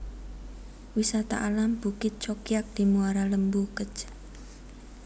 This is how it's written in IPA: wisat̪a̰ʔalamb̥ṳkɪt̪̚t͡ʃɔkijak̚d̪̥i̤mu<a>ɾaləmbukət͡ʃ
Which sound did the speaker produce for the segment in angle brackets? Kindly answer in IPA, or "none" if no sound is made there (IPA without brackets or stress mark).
a